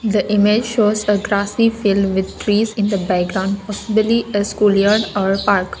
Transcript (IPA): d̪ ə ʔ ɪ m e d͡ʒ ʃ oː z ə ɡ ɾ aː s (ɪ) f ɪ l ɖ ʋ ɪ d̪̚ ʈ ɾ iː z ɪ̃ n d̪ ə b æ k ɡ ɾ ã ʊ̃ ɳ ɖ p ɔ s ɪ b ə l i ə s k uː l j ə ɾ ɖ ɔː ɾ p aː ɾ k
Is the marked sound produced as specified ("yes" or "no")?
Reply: no